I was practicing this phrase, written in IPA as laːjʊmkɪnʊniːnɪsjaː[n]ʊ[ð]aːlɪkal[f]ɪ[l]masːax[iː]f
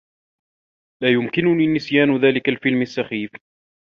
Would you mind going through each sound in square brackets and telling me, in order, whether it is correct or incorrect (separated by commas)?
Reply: correct, correct, correct, correct, correct